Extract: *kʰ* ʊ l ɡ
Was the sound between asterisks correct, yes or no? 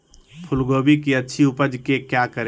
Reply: no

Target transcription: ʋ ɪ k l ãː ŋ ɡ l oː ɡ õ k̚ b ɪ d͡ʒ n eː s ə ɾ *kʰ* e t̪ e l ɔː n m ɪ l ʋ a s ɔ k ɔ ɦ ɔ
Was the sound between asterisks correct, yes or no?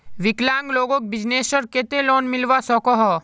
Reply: no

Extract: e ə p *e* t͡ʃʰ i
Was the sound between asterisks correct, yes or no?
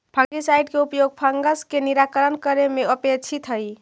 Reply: yes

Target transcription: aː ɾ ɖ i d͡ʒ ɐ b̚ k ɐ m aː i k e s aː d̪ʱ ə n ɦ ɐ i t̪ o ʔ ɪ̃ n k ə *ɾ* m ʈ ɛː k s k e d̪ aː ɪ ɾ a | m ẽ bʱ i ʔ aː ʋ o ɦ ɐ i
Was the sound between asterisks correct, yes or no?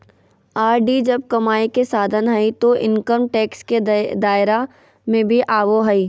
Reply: yes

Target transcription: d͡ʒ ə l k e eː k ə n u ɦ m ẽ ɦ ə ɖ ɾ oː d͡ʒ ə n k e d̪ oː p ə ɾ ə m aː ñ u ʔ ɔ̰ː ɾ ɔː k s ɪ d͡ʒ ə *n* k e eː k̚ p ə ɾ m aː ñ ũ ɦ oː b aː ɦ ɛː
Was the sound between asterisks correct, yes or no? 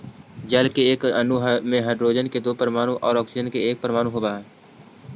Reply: yes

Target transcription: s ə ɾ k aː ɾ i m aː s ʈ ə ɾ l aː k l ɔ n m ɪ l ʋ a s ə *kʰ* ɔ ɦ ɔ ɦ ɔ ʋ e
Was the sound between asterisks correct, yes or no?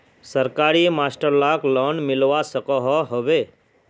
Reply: no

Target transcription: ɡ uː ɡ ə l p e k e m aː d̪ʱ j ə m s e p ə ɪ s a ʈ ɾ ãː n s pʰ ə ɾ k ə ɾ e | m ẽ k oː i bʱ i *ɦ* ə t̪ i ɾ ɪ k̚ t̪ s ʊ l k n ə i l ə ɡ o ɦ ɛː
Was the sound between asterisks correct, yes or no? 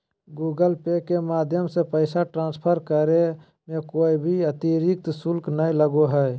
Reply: no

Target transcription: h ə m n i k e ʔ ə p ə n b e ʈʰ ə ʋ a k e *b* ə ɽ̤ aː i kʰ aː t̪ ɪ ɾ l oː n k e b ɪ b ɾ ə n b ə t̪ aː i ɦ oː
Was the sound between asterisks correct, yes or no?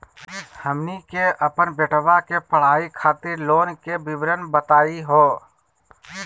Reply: no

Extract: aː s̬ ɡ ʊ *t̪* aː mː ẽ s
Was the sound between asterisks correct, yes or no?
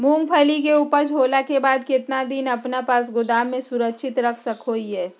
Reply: no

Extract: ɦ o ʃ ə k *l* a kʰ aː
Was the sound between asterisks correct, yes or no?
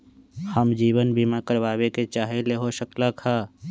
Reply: yes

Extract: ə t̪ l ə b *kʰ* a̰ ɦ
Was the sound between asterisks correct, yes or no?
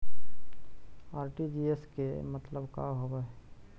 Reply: no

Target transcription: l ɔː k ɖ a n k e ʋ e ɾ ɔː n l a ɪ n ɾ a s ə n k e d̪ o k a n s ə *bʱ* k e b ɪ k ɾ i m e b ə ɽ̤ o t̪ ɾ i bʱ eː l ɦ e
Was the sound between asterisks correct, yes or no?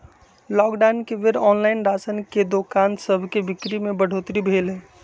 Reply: yes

